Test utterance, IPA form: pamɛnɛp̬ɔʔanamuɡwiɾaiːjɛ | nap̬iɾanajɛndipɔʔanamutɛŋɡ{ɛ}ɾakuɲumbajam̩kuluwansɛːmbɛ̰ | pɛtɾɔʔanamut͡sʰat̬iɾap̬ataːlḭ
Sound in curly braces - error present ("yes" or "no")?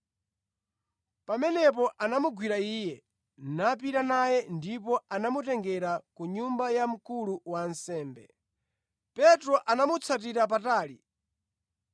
no